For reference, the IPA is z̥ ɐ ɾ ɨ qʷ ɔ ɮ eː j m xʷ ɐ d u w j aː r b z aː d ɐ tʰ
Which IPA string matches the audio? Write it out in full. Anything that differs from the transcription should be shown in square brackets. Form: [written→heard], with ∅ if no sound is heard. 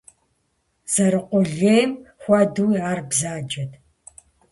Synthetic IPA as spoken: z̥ ɐ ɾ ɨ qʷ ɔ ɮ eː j m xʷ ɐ d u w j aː r b z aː [d→d͡ʒ] ɐ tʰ